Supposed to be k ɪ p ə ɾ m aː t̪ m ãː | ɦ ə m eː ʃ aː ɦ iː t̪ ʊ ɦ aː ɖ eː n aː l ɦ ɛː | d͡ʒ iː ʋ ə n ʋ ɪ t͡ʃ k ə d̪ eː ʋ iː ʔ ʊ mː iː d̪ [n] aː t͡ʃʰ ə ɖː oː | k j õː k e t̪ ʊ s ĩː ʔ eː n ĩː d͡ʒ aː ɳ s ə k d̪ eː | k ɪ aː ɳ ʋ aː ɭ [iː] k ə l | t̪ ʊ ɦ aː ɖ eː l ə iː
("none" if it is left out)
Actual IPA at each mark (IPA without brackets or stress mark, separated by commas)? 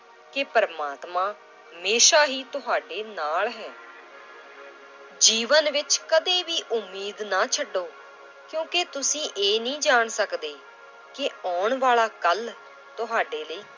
n, aː